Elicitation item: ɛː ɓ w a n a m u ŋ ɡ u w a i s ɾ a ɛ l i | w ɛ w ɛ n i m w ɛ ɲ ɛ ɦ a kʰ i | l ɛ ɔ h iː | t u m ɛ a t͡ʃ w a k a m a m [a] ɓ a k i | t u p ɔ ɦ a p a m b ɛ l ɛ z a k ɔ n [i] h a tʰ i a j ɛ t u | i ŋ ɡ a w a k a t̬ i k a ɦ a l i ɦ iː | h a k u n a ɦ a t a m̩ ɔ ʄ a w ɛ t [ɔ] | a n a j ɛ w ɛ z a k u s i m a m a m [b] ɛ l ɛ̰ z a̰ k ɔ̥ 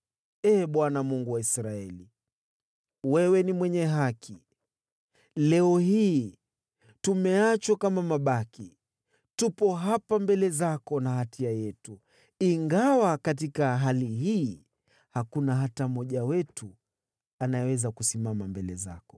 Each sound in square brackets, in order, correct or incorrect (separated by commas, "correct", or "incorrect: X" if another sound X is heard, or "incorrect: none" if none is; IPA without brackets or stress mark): correct, incorrect: a, incorrect: u, correct